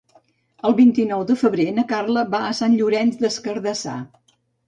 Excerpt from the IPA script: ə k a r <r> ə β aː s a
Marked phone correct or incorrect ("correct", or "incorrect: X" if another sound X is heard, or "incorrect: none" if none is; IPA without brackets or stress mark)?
incorrect: l